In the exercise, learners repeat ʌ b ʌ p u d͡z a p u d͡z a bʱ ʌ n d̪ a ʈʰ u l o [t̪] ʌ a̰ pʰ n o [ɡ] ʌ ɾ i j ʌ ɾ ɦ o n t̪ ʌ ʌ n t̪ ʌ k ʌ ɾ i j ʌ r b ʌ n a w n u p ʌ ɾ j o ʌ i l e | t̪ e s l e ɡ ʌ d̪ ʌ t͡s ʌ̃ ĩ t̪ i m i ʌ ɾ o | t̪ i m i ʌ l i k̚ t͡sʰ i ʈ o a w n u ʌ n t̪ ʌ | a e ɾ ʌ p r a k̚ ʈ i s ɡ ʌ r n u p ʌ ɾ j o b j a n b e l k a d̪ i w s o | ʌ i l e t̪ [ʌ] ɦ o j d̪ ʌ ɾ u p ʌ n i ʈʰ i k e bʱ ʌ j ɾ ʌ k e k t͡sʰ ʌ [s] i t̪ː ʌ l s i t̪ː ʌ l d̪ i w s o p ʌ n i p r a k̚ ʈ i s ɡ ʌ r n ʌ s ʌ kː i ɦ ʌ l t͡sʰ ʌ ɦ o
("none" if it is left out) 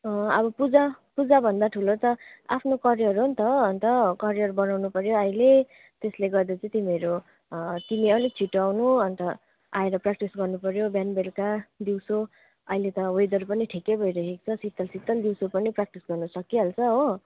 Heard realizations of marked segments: t̪, k, ʌ, s

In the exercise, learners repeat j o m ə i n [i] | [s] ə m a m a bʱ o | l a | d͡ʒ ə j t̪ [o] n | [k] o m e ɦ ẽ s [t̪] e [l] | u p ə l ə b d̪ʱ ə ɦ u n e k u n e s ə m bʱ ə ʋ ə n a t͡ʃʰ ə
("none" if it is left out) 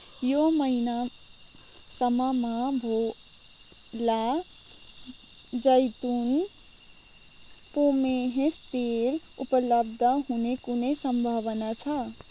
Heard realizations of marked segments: a, s, u, p, t̪, l

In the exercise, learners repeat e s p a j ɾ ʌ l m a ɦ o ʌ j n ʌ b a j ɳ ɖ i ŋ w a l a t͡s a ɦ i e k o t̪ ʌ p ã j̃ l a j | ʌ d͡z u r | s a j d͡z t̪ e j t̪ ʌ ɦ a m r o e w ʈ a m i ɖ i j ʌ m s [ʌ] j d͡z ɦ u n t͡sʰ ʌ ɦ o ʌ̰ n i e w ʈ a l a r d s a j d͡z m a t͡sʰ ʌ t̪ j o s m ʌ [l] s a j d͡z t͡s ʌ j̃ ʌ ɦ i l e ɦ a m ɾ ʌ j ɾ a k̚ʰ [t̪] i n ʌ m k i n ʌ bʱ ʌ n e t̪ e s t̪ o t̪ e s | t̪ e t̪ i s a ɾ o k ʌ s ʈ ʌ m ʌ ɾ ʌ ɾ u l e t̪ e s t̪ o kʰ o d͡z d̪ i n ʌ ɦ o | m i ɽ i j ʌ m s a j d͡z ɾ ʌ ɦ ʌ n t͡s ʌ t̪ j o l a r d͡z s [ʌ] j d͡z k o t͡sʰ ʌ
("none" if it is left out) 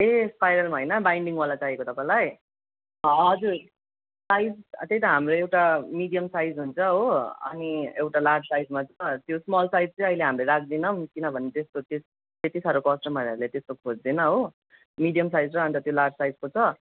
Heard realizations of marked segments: a, l, d̪, a

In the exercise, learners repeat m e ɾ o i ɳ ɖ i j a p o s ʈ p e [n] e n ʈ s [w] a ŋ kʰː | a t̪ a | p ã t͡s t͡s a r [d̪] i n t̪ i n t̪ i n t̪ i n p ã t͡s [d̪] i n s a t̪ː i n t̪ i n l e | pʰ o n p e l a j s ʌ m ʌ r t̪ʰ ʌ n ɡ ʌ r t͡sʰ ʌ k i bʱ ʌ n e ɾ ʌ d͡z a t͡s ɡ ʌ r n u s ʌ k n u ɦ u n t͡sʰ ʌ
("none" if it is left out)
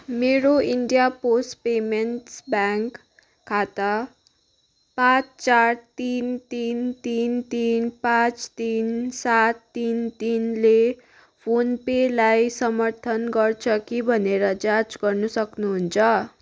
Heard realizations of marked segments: m, b, t̪, t̪

